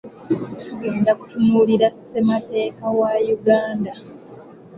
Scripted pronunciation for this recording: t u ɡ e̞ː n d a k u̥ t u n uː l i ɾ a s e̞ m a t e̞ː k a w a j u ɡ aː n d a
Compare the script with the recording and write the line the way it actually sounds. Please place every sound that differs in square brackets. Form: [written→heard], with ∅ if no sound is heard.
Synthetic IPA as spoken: t u ɡ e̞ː n d a k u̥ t u n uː l i ɾ a s e̞ m a t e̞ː k a w a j u ɡ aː n d a